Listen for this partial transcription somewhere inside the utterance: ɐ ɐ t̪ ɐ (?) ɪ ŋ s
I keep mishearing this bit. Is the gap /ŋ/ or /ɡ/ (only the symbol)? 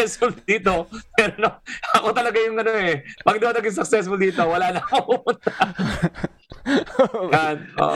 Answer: ɡ